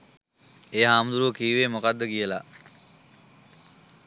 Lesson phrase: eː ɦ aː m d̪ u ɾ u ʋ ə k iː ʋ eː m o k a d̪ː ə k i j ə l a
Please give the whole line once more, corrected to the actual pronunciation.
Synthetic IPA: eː ɦ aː m d̪ u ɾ u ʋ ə k iː ʋ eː m o k a d̪ː ə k i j ə l a